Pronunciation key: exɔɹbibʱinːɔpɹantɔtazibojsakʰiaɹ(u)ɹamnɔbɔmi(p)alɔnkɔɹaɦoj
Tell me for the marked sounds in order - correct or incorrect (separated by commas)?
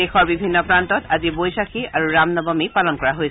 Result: correct, correct